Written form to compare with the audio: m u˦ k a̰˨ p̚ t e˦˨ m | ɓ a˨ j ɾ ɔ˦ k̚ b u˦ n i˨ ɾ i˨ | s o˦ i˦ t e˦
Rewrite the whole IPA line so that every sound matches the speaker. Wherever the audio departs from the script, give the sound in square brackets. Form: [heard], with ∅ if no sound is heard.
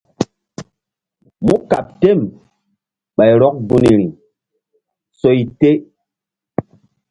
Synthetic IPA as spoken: m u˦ k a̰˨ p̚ t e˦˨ m | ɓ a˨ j ɾ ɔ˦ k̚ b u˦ n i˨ ɾ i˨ | s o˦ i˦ t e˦